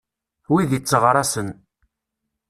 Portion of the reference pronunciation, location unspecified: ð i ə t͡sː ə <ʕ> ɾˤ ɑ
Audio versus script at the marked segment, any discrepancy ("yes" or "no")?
yes